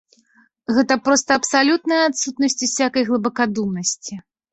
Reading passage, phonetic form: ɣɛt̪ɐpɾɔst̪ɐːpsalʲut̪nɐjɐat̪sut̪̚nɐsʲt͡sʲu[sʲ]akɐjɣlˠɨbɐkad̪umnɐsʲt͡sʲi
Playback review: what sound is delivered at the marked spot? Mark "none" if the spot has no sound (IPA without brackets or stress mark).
sʲ